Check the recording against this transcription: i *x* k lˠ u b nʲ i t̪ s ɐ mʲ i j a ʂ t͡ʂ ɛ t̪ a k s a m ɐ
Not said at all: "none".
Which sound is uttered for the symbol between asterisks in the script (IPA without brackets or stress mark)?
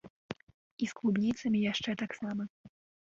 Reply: s